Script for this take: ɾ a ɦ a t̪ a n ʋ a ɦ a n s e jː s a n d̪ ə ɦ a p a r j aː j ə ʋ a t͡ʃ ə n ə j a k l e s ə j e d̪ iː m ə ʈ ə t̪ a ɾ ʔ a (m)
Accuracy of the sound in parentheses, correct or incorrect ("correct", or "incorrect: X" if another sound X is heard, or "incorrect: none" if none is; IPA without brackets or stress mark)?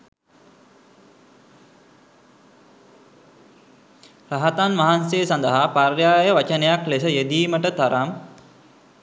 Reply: correct